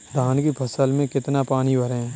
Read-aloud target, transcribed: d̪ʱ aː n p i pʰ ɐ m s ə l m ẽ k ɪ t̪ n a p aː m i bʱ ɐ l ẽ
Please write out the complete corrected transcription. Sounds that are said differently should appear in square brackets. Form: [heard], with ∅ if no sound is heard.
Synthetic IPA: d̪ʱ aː n [k] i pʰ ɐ [∅] s ə l m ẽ k ɪ t̪ n a p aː [n] i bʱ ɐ [ɾ] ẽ